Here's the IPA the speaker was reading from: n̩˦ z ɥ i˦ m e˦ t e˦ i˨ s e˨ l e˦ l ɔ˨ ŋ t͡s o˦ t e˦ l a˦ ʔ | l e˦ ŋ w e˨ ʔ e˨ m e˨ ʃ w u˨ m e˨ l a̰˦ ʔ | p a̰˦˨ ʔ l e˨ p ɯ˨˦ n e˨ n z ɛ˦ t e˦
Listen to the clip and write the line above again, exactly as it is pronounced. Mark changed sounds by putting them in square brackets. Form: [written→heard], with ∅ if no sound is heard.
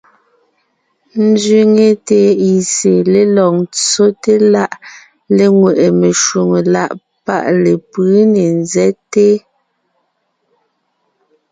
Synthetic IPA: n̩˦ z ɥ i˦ [m→ŋ] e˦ t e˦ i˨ s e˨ l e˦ l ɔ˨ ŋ t͡s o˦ t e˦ l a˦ ʔ | l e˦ ŋ w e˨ ʔ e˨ m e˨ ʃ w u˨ [m→ŋ] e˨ l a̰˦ ʔ | p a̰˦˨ ʔ l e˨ p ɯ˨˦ n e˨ n z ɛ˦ t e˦